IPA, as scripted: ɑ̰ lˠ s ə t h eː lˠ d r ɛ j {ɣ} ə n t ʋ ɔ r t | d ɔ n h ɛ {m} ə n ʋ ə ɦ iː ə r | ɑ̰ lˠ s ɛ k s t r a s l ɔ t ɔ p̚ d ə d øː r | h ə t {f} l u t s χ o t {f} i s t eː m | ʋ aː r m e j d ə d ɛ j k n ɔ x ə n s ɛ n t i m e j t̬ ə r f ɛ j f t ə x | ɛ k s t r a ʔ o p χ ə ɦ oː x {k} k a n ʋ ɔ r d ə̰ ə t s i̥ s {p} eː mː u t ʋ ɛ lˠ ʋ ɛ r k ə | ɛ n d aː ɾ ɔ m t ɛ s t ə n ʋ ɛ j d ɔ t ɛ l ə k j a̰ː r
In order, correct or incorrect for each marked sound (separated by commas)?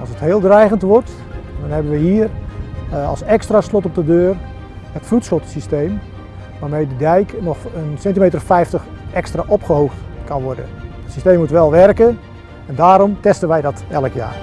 correct, incorrect, correct, incorrect, incorrect, incorrect